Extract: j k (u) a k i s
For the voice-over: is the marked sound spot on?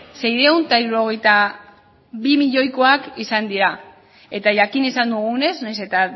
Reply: no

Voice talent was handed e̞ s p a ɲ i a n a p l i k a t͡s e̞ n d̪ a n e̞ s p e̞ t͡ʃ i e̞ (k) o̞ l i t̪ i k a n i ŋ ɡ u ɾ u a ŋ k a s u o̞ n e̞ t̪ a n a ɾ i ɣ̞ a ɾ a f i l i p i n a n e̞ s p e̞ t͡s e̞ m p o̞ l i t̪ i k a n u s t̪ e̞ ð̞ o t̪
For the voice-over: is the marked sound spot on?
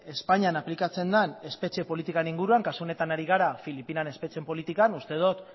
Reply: no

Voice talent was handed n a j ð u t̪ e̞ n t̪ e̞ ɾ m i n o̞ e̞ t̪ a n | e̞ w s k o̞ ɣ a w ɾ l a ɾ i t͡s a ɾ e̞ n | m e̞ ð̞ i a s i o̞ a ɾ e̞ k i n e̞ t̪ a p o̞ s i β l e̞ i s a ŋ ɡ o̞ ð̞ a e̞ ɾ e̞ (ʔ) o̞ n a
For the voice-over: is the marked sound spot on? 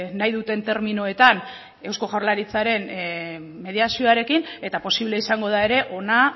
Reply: yes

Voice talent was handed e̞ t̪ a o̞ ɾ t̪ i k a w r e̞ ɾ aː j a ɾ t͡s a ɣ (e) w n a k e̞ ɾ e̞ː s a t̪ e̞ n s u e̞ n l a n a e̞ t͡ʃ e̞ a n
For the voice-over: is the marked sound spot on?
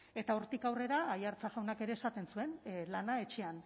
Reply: no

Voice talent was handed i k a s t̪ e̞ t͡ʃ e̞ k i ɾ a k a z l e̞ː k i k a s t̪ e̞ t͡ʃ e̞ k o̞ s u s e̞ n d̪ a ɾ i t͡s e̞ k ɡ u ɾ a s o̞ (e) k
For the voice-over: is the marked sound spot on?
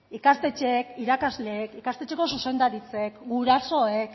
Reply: yes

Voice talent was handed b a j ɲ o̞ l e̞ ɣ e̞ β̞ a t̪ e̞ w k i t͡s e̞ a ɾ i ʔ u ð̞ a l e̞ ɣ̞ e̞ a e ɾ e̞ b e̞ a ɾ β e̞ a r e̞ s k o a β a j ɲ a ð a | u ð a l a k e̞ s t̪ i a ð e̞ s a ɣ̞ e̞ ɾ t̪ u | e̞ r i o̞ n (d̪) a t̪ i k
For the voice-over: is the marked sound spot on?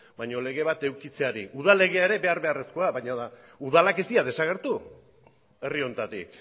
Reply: no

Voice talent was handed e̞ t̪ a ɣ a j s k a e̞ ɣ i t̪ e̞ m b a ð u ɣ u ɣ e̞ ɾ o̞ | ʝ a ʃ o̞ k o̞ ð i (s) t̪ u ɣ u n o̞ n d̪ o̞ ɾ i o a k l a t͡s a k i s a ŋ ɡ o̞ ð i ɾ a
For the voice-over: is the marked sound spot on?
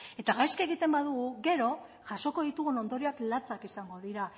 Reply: no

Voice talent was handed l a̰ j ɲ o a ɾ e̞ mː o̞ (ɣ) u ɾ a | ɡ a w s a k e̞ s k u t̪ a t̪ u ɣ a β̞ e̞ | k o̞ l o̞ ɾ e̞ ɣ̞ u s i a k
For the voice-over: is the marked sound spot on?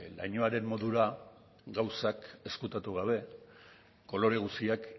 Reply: no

